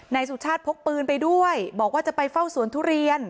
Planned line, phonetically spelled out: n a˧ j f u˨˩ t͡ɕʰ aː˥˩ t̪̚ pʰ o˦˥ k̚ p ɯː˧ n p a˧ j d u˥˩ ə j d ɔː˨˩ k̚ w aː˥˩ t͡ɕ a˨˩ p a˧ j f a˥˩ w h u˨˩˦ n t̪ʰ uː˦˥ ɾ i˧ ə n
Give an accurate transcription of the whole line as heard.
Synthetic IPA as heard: n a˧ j s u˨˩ t͡ɕʰ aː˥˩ t̪̚ pʰ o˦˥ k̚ p ɯː˧ n p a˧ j d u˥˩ ə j b ɔː˨˩ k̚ w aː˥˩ t͡ɕ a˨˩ p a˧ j f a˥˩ w s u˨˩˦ n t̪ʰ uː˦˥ ɾ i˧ ə n

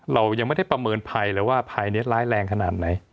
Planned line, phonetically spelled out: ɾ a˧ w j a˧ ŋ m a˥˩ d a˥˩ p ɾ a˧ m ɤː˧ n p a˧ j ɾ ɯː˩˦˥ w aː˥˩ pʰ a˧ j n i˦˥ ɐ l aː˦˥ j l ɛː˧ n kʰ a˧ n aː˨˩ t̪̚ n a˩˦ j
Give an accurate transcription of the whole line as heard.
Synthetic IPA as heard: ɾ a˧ w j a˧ ŋ m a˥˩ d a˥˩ p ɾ a˧ m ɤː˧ n pʰ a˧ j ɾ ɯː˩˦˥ w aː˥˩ pʰ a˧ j n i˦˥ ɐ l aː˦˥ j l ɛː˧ ŋ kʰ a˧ n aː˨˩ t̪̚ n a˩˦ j

